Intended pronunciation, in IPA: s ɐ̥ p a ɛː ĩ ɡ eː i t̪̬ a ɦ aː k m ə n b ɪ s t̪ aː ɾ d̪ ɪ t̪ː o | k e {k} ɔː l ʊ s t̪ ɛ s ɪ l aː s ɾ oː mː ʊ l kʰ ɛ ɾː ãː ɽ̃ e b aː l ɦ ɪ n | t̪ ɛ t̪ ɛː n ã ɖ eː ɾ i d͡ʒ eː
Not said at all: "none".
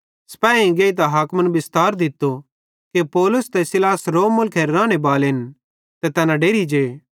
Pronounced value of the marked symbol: p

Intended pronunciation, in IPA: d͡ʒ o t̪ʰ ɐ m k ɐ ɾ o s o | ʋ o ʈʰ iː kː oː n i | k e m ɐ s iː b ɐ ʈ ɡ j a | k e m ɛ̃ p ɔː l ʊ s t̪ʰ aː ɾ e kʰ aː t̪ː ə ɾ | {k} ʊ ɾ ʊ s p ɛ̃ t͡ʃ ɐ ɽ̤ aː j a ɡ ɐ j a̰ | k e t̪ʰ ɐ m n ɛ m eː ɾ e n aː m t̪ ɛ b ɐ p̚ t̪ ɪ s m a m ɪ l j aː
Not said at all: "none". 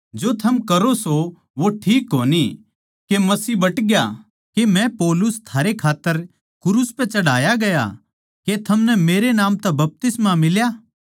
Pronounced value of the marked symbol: k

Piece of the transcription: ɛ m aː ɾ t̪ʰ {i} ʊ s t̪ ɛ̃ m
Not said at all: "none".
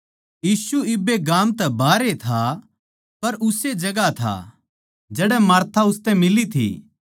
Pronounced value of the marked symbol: a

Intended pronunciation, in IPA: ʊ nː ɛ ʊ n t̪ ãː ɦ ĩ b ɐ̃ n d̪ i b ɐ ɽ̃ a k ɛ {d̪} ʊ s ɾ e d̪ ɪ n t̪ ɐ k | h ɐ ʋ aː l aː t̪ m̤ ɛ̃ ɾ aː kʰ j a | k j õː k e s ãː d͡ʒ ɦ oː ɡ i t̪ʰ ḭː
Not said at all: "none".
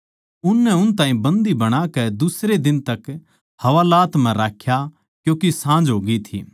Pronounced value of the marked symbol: d̪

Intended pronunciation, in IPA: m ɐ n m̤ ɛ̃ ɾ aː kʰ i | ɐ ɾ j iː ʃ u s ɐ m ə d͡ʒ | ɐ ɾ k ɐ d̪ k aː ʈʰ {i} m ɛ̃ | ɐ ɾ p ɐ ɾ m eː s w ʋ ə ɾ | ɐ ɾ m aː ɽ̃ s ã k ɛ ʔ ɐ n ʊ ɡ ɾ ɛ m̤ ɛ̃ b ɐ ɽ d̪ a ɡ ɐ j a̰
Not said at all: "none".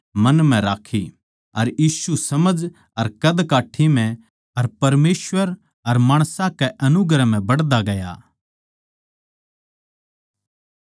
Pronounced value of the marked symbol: i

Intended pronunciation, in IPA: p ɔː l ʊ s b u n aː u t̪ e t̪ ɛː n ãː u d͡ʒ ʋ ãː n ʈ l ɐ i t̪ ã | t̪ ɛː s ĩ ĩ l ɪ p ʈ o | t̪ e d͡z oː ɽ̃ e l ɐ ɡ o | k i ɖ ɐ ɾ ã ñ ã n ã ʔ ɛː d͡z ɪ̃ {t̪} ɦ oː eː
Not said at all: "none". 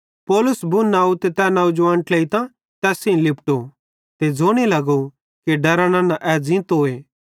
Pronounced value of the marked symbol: t̪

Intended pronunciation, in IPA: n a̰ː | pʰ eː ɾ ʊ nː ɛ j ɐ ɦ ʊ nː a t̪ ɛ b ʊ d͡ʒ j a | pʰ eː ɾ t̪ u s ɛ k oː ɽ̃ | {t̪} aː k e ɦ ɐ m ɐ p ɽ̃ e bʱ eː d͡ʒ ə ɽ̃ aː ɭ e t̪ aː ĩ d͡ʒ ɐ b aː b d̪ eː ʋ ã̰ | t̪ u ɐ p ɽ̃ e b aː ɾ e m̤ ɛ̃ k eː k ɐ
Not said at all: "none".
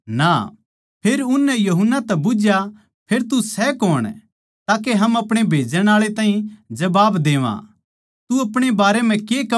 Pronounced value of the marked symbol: t̪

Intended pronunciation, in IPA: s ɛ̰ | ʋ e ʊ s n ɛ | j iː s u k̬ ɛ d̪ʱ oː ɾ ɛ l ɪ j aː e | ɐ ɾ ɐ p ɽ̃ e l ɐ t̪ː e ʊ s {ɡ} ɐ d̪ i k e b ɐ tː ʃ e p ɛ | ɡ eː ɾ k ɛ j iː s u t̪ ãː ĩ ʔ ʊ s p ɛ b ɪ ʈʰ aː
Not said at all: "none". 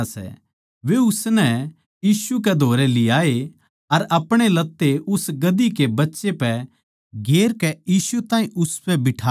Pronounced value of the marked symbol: ɡ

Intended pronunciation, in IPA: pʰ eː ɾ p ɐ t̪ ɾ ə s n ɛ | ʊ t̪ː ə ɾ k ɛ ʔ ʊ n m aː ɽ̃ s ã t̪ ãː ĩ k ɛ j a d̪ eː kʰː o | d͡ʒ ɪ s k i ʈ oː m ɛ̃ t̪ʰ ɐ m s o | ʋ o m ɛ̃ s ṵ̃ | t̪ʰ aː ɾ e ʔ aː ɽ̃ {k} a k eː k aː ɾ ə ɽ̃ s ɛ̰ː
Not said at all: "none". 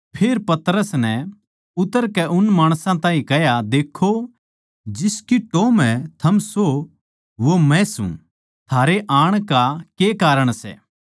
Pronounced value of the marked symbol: k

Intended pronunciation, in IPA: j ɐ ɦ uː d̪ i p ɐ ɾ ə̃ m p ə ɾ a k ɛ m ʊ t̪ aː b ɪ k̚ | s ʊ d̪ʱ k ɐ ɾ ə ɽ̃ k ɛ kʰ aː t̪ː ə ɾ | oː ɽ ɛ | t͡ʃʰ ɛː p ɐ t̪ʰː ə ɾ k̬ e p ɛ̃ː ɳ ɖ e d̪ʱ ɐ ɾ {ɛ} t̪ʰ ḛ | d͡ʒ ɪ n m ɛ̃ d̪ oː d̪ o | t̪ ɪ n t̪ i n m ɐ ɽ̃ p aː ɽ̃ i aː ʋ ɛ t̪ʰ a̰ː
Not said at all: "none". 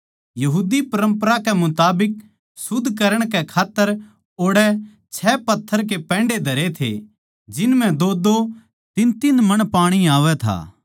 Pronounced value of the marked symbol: e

